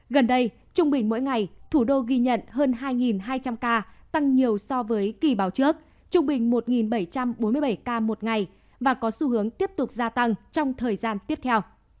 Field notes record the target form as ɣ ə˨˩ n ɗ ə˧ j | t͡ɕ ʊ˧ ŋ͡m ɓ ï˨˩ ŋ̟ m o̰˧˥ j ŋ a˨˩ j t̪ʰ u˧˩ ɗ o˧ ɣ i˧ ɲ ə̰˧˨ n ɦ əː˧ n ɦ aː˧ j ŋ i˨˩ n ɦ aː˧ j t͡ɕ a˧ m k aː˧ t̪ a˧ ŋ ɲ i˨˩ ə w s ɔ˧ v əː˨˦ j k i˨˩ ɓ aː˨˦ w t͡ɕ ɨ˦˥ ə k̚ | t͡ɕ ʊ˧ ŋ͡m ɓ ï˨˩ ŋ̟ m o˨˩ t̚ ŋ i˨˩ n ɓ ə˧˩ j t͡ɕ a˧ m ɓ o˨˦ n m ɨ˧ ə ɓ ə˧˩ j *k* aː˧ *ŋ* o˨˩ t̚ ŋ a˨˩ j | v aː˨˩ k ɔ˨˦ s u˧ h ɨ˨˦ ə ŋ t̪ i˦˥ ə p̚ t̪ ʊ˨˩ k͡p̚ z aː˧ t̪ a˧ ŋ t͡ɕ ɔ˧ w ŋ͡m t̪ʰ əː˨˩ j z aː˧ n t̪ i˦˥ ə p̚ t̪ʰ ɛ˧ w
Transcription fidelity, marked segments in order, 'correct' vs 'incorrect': correct, incorrect: m

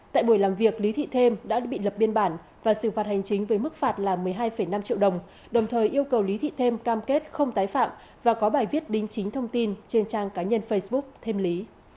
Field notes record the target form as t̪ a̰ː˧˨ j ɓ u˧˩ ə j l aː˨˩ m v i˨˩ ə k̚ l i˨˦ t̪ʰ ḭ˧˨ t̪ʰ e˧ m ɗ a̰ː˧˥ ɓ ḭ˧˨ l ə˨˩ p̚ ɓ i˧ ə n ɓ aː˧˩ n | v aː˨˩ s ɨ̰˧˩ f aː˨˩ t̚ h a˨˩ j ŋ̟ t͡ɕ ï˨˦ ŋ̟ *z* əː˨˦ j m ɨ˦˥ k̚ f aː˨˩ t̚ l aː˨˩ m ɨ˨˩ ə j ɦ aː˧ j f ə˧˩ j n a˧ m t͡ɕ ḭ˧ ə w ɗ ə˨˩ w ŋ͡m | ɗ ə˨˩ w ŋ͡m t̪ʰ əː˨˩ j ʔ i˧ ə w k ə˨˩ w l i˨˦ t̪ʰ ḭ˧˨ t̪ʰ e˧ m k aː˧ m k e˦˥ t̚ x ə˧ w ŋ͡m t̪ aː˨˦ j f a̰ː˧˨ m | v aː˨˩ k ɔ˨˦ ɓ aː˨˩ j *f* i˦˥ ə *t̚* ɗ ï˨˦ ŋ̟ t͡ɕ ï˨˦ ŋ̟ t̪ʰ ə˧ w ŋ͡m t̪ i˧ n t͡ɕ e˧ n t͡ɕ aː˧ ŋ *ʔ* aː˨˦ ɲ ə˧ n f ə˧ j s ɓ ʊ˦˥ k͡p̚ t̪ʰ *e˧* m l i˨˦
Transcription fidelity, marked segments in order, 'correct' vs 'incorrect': incorrect: v, incorrect: v, correct, incorrect: k, correct

